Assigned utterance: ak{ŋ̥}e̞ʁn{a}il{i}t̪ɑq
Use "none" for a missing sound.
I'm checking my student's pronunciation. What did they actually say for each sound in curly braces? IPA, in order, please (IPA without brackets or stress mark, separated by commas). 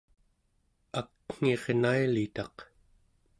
ŋ̥, a, i